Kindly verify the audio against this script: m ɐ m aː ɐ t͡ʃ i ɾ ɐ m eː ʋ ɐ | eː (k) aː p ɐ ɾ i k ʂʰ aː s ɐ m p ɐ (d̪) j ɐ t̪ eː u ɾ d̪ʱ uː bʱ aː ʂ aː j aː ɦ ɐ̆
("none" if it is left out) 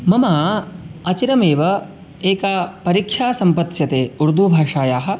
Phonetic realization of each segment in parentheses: k, t̪

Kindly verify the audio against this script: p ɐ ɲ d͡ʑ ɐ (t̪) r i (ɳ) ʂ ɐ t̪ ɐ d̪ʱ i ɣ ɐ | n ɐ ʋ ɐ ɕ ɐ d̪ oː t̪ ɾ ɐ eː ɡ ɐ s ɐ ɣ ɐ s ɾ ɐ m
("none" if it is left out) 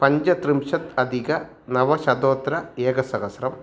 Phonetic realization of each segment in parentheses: t̪, m

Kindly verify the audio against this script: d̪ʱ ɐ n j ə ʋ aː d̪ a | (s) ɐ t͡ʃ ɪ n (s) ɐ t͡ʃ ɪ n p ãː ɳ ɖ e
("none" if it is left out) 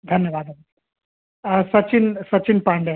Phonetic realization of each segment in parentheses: s, s

